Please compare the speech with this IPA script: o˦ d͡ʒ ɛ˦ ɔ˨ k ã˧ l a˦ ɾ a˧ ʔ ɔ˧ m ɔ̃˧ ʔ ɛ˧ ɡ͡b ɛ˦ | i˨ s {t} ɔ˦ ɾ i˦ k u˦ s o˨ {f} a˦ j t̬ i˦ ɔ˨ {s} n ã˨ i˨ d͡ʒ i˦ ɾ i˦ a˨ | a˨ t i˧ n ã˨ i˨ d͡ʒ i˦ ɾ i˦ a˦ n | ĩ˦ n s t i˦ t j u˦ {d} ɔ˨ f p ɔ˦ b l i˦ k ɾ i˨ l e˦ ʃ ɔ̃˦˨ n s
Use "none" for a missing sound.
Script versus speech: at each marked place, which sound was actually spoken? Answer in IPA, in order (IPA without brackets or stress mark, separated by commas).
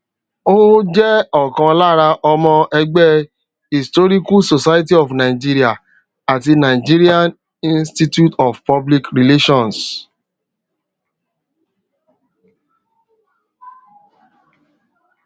t, s, f, t